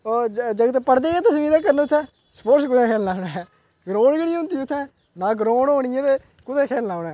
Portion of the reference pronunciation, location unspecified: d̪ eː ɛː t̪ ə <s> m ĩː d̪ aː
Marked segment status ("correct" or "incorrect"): correct